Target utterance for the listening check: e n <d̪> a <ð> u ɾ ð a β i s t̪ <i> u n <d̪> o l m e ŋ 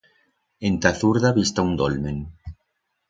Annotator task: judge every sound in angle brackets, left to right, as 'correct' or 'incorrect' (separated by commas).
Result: incorrect, incorrect, incorrect, correct